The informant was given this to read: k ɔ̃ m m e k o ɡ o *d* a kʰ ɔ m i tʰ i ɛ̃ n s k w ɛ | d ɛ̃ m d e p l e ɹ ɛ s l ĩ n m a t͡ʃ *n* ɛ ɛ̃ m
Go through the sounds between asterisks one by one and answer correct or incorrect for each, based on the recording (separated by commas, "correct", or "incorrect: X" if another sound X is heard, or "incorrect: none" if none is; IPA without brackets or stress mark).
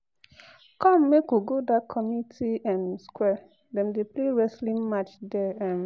correct, incorrect: d